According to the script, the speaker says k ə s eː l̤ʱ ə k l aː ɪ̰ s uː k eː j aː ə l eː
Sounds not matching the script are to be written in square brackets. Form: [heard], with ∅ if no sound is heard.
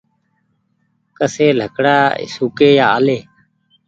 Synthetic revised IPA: k ə s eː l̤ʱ ə k [ɽ] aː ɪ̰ s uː k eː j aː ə l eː